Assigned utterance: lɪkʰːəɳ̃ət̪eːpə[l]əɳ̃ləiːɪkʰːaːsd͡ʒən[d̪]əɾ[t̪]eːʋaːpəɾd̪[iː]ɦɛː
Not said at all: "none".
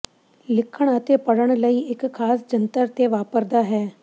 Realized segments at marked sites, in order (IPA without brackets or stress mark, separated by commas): ɽ, t̪, t̪, aː